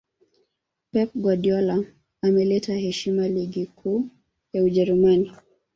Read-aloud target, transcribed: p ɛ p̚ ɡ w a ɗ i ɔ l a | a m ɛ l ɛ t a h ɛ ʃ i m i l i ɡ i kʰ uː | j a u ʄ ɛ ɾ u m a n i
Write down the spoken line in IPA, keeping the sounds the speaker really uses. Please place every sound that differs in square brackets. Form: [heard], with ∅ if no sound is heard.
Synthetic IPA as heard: p ɛ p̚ ɡ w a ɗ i ɔ l a | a m ɛ l ɛ t a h ɛ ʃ i m [a] l i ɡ i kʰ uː | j a u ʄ ɛ ɾ u m a n i

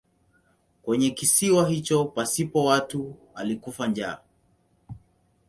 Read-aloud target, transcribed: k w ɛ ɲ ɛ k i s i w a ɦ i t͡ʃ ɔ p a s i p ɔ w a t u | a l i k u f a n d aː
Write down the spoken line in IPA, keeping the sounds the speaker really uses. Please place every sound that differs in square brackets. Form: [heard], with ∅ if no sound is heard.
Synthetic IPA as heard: k w ɛ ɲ ɛ k i s i w a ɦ i t͡ʃ ɔ p a s i p ɔ w a t u | a l i k u f a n [d͡ʒ] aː

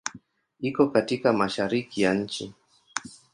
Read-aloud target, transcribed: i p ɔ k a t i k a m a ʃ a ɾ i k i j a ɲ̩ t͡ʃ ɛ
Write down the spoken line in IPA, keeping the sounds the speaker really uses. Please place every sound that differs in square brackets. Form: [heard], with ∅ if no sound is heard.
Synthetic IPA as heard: i [k] ɔ k a t i k a m a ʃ a ɾ i k i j a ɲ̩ t͡ʃ [i]

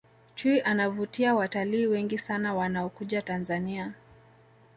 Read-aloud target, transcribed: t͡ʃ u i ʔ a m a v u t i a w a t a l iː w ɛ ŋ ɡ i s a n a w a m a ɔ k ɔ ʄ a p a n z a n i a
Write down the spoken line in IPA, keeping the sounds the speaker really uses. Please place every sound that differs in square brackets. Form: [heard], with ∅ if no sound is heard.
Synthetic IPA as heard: t͡ʃ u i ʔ a [n] a v u t i a w a t a l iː w ɛ ŋ ɡ i s a n a w a [n] a ɔ k [u] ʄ a [t] a n z a n i a

